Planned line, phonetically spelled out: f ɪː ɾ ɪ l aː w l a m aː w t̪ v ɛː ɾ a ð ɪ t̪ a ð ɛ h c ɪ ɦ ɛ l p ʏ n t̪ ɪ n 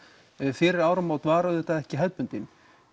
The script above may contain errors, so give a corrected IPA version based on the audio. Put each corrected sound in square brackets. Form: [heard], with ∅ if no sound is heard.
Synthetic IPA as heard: f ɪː ɾ ɪ [ɾ] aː w [ɾ] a m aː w t̪ v [aː] ɾ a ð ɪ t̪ a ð ɛ h c ɪ ɦ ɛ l p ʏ n t̪ ɪ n